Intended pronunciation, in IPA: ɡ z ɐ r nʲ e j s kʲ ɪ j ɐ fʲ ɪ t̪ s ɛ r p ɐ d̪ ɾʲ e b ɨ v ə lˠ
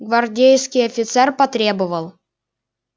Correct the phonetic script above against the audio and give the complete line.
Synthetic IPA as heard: ɡ v ɐ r dʲ e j s kʲ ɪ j ɐ fʲ ɪ t̪ s ɛ r p ɐ t̪ ɾʲ e b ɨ v ə lˠ